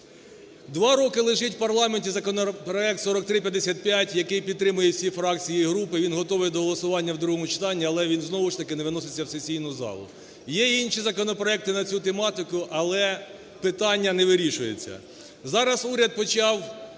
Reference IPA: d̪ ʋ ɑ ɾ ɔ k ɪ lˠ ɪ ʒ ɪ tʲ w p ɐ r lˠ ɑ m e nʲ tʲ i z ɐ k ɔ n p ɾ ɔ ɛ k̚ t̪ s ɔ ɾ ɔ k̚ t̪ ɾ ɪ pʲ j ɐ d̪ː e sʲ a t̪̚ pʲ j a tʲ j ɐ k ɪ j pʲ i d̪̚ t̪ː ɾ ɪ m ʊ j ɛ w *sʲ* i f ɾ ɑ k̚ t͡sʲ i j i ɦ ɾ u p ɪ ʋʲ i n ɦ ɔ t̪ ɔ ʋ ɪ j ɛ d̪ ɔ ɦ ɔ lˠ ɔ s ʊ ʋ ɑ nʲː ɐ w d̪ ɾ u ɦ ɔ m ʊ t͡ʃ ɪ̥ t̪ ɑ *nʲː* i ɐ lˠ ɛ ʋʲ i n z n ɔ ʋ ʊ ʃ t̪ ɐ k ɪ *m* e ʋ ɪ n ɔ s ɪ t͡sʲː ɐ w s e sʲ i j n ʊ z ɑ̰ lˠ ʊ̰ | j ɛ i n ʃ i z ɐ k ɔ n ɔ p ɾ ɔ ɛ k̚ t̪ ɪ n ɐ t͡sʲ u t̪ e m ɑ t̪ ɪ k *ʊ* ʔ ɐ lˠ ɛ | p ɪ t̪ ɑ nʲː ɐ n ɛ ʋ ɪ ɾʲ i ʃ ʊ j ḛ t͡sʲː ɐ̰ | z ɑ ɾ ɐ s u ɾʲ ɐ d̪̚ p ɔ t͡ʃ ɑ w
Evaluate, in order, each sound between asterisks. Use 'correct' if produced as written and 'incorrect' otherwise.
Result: correct, correct, incorrect, correct

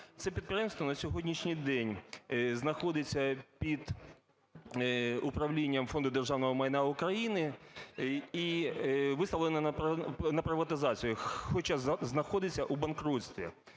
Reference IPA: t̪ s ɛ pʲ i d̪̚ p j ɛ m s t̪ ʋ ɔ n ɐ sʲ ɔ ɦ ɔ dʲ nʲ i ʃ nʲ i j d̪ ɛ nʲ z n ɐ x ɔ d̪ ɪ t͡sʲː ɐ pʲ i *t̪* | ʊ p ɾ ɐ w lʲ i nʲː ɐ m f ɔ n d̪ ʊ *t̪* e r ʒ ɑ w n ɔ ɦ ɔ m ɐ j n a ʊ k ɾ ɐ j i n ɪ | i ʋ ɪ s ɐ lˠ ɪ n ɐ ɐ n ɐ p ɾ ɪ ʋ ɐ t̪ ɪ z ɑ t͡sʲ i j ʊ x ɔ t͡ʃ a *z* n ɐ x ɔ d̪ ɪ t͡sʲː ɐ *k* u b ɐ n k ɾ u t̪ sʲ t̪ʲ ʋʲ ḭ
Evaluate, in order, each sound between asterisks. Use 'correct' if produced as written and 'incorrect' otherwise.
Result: incorrect, incorrect, correct, incorrect

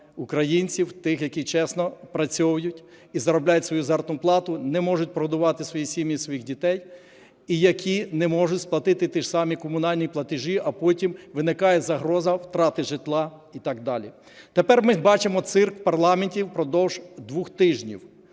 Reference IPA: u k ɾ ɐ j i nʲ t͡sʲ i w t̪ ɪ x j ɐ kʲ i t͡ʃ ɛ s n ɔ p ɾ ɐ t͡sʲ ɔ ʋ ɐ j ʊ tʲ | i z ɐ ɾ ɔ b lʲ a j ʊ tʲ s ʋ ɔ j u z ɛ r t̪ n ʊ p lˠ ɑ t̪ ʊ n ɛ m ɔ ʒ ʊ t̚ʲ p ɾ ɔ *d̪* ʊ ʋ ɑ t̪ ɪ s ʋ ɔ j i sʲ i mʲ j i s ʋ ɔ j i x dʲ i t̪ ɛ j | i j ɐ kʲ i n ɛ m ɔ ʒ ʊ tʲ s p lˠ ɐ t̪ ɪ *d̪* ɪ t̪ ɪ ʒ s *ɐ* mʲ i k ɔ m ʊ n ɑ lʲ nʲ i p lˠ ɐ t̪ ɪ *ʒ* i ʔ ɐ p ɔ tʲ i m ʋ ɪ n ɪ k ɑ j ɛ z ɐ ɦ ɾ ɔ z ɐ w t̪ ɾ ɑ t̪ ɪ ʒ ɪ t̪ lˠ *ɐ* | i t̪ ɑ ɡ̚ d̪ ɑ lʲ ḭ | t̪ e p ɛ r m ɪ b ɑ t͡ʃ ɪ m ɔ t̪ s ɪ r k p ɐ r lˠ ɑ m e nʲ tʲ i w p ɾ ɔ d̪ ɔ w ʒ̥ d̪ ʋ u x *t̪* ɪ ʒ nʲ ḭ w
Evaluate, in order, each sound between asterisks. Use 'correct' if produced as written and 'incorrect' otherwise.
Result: correct, incorrect, incorrect, correct, incorrect, correct

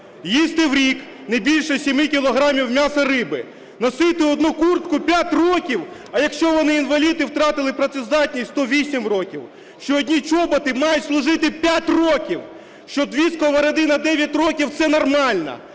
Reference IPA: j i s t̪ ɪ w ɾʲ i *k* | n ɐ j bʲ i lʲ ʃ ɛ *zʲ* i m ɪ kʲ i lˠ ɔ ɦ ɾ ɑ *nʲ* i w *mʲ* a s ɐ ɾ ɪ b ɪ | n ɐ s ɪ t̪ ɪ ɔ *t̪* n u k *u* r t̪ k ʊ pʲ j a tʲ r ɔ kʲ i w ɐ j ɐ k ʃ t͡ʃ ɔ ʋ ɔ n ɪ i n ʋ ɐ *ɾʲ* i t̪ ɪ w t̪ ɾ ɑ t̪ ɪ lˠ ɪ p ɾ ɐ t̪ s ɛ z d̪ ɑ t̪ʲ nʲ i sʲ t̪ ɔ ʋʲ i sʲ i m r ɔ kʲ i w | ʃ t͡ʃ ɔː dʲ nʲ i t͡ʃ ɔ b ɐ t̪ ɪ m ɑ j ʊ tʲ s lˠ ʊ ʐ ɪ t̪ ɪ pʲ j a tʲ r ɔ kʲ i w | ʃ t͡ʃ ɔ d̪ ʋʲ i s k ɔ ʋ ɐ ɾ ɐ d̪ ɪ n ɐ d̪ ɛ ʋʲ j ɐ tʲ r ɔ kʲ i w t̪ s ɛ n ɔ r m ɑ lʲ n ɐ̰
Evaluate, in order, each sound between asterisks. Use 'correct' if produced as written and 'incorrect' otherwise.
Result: correct, incorrect, incorrect, correct, incorrect, correct, incorrect

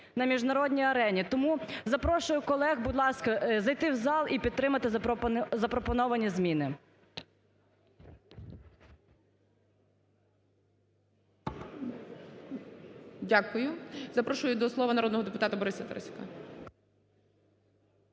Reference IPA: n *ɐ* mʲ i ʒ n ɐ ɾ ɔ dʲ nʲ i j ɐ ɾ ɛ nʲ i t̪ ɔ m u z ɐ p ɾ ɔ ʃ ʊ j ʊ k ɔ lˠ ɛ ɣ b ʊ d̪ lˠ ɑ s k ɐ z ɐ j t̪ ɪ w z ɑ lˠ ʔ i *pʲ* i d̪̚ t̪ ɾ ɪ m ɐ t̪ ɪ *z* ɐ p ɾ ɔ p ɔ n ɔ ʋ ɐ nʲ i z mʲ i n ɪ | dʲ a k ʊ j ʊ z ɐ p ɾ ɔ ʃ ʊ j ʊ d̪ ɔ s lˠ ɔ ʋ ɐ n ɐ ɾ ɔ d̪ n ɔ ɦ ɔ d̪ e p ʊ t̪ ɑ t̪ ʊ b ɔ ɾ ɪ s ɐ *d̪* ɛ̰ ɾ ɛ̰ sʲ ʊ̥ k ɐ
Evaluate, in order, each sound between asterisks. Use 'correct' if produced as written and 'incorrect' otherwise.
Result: correct, correct, correct, incorrect

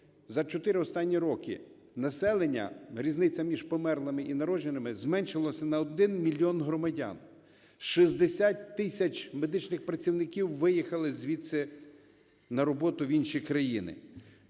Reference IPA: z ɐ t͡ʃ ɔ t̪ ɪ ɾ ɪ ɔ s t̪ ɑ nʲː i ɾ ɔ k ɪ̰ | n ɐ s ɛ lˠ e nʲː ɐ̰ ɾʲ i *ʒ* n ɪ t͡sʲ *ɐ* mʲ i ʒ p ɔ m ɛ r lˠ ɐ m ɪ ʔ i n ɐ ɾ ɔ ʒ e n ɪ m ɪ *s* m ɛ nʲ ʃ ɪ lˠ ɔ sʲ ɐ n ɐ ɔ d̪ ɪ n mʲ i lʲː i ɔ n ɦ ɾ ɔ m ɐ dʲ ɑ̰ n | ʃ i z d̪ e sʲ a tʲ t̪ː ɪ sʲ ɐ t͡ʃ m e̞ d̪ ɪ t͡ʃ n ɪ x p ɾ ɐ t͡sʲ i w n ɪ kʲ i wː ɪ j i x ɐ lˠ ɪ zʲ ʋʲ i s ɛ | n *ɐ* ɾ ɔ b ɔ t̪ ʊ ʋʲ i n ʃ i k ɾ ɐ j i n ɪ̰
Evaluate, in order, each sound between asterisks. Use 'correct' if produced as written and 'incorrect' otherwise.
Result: incorrect, correct, incorrect, correct

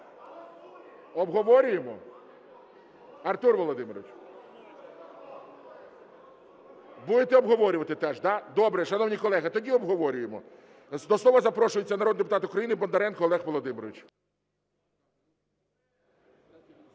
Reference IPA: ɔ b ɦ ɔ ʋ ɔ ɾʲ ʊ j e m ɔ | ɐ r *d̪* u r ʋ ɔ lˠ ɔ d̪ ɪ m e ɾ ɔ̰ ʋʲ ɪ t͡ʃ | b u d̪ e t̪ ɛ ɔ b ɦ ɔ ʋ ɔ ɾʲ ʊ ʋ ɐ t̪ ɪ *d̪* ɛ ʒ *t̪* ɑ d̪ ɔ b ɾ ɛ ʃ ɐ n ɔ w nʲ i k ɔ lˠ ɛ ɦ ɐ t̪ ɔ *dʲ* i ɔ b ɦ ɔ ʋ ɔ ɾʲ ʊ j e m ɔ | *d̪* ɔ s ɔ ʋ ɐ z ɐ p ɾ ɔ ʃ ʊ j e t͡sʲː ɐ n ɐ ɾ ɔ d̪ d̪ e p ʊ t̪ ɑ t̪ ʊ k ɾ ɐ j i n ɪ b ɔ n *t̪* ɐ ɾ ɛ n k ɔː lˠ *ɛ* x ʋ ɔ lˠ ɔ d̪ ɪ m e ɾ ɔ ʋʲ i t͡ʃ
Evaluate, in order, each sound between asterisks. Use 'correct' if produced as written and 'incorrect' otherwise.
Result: incorrect, incorrect, incorrect, correct, correct, incorrect, correct

